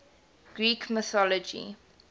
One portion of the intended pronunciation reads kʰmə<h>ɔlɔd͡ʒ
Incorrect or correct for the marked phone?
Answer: incorrect: θ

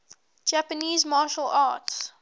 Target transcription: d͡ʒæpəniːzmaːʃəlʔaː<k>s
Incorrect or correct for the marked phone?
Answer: incorrect: t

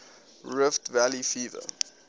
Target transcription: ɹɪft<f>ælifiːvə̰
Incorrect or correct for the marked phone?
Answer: incorrect: v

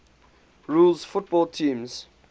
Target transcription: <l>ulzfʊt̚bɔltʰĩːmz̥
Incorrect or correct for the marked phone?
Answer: incorrect: ɹ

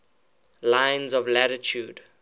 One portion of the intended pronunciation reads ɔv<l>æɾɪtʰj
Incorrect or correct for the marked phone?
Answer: correct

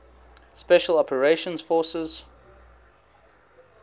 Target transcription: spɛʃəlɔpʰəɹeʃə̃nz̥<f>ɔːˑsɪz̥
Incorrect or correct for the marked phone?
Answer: correct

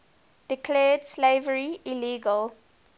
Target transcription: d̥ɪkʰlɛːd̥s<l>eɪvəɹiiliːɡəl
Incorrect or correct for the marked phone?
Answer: correct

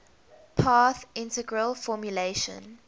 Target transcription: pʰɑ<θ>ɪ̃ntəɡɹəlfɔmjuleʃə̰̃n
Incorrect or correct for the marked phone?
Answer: correct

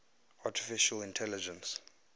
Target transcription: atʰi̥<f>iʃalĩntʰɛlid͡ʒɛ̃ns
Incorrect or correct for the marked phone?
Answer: correct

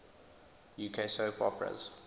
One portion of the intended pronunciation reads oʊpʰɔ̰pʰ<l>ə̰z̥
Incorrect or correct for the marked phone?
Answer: incorrect: ɹ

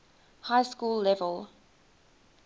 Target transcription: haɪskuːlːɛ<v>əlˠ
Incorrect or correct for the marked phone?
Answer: correct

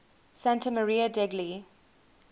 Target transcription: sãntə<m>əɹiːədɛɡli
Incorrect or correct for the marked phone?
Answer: correct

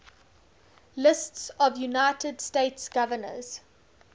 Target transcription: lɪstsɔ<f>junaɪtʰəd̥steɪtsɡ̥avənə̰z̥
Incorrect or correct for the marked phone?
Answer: incorrect: v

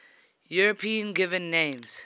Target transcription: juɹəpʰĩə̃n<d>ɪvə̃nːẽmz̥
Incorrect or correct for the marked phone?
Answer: incorrect: ɡ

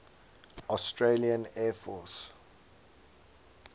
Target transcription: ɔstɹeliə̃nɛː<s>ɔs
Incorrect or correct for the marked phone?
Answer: incorrect: f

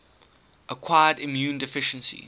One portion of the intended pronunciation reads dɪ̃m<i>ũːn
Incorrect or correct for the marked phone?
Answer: incorrect: j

